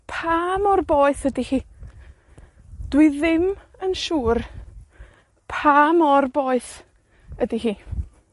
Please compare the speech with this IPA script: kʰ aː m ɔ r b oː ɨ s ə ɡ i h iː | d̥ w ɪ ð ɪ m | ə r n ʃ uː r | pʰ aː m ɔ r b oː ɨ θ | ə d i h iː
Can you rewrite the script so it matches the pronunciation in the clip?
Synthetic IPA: pʰ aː m ɔ r b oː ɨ θ ə d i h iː | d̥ w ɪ ð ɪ m | ə n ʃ uː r | pʰ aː m ɔ r b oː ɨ θ | ə d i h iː